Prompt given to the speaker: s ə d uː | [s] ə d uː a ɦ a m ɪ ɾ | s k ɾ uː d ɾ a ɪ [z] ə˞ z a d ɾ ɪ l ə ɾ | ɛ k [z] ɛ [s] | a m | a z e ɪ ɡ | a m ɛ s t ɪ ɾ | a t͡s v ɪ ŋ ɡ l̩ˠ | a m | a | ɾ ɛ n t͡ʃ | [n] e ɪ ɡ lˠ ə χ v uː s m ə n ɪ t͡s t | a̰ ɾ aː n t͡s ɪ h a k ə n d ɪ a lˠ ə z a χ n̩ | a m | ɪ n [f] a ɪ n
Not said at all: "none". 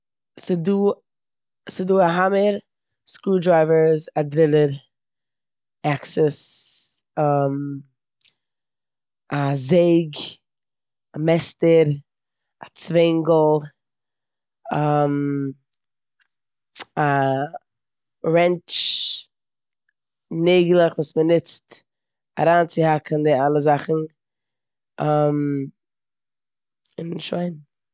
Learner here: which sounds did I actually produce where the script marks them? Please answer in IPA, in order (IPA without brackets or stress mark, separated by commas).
s, v, s, s, n, ʃ